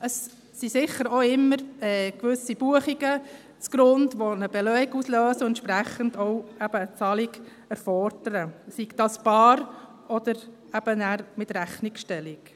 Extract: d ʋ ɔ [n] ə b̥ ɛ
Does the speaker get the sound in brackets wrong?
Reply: no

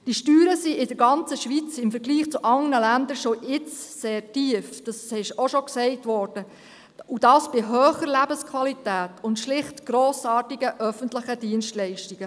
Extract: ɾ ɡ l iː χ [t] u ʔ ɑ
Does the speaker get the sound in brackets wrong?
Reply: yes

